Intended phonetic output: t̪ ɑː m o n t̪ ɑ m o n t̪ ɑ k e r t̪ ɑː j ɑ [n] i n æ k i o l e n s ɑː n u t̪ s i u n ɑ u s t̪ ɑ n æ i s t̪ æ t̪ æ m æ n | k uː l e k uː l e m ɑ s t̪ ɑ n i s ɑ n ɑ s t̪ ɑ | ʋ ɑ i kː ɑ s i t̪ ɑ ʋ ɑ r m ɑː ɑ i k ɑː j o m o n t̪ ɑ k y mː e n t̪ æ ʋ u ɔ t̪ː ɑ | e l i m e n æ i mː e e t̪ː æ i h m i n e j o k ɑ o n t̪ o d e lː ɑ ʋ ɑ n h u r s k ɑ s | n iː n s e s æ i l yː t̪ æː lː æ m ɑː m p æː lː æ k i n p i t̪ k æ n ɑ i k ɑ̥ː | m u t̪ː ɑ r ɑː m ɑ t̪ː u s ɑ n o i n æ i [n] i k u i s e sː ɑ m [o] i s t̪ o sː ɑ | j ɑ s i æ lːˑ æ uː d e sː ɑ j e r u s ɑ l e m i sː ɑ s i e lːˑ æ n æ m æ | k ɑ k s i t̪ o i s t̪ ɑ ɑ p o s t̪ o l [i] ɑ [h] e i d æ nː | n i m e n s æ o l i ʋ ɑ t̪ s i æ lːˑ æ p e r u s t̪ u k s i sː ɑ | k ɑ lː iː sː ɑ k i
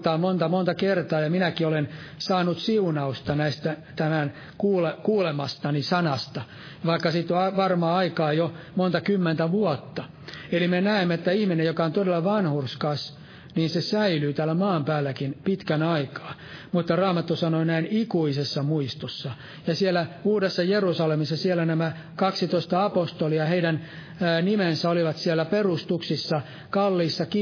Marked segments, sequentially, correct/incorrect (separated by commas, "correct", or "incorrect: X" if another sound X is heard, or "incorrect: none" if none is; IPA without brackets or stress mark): incorrect: m, correct, incorrect: u, correct, correct